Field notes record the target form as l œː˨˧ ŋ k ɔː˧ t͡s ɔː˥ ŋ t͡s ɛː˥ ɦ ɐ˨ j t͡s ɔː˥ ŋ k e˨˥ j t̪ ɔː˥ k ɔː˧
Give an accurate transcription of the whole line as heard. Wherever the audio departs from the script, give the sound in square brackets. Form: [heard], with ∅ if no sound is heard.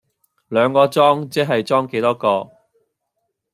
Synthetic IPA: l œː˨˧ ŋ k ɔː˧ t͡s ɔː˥ ŋ t͡s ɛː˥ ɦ ɐ˨ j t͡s ɔː˥ ŋ k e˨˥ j t̪ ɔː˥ k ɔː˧